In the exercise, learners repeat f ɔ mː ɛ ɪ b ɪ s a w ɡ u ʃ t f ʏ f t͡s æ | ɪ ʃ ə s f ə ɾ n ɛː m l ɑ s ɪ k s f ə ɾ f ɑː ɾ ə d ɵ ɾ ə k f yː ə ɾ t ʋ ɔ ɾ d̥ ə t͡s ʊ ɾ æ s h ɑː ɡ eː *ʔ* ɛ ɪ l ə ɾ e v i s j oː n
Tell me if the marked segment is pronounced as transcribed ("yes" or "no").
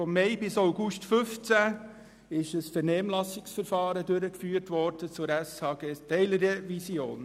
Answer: no